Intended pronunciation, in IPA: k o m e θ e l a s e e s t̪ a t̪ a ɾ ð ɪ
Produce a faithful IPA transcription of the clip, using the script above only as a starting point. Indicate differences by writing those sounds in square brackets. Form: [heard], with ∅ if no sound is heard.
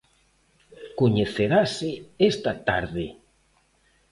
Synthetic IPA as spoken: k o [ɲ] e θ e [ɾ] a s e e s t̪ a t̪ a ɾ ð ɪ